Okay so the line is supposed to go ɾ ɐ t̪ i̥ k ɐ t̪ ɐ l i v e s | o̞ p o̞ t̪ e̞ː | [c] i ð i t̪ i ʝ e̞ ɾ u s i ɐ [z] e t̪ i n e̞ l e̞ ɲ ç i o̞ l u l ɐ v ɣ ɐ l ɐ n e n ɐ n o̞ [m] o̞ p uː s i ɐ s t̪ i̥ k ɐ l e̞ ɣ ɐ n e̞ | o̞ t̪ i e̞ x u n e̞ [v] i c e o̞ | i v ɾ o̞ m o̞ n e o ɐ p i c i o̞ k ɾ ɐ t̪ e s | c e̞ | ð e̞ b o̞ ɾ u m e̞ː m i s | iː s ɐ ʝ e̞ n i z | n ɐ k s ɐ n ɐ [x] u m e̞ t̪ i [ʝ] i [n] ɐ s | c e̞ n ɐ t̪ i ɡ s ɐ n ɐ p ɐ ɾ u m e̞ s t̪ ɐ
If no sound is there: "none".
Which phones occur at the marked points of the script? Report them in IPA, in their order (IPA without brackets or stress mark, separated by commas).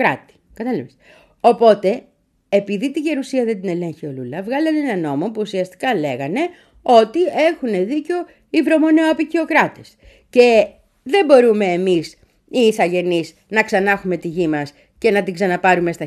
p, ð, m, ð, x, ʝ, m